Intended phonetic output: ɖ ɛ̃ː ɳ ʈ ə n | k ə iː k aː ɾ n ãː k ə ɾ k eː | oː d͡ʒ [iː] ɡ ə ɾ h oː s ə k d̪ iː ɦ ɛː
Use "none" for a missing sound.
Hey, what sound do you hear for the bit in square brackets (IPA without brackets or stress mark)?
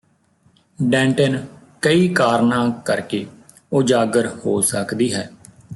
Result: aː